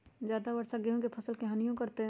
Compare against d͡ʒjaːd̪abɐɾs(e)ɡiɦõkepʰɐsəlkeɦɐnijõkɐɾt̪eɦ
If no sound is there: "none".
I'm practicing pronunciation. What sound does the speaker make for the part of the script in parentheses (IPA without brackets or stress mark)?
a